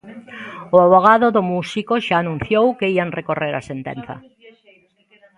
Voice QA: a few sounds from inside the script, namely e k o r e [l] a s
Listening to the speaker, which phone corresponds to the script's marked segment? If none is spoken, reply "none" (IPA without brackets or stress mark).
ɾ